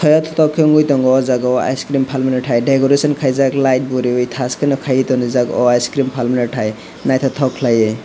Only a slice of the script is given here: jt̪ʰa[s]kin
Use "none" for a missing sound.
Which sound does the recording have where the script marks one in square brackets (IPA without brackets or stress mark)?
s